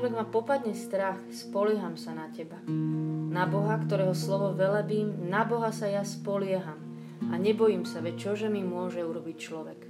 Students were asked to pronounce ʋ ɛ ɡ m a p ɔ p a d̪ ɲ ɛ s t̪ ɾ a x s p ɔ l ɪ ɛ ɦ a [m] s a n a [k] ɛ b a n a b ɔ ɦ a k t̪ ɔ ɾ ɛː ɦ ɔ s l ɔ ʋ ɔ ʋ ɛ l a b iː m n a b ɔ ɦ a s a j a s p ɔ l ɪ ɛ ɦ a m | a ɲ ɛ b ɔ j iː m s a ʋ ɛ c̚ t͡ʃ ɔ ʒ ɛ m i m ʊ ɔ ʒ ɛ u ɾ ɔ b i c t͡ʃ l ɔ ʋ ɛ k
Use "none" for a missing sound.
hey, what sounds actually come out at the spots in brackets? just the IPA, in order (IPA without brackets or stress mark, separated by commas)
m, c